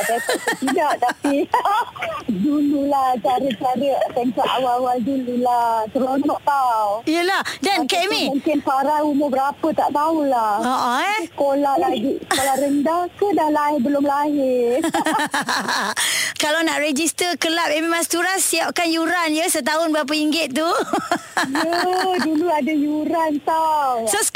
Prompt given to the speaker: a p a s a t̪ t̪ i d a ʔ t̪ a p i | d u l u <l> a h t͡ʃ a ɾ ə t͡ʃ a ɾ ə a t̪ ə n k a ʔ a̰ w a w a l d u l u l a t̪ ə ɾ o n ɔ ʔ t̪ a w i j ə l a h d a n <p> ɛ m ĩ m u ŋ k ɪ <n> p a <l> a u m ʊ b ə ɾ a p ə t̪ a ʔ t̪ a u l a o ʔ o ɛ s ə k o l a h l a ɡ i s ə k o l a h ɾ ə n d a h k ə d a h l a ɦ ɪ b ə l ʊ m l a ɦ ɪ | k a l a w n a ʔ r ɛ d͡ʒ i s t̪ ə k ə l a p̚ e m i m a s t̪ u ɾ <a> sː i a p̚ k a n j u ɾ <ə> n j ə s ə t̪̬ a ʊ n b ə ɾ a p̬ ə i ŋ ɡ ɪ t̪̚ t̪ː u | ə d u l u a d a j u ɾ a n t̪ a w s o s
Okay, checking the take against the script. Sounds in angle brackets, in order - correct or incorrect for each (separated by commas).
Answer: correct, incorrect, correct, incorrect, correct, incorrect